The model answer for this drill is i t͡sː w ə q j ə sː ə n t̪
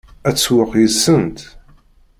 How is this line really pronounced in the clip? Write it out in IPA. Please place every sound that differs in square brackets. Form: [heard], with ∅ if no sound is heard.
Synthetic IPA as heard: [æ] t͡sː w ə q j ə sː ə n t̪